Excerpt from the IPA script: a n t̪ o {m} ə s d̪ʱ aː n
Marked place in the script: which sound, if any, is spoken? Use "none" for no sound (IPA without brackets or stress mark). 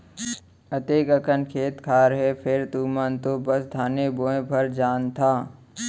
b